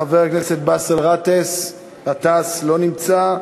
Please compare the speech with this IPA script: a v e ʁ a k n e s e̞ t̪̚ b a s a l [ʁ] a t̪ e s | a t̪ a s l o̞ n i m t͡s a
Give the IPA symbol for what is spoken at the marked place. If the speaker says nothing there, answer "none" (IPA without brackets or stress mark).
ʁ